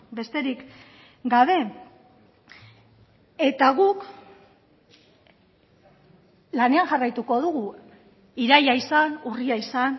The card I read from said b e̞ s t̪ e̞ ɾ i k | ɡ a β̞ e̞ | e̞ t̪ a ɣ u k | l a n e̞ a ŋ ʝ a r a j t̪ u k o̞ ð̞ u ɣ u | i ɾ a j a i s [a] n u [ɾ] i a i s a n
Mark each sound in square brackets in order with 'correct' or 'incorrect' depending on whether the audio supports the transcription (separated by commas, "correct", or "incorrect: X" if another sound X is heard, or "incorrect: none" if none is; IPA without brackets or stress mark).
correct, incorrect: r